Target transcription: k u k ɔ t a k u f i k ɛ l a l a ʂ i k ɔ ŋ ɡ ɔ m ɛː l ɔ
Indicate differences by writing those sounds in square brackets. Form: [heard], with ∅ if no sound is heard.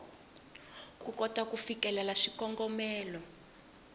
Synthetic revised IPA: k u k ɔ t a k u f i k ɛ l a l a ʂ i k ɔ ŋ ɡ ɔ m ɛː l ɔ